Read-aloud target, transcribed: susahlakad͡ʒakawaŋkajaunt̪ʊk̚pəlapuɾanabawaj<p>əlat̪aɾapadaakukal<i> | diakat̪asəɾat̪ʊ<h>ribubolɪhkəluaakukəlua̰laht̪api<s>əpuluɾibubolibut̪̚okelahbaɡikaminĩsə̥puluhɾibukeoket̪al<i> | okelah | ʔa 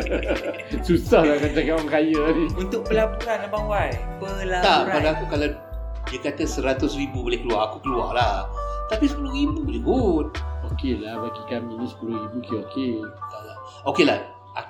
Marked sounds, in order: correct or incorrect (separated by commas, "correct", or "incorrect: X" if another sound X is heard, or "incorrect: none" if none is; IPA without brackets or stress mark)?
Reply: correct, incorrect: a, incorrect: s, correct, incorrect: a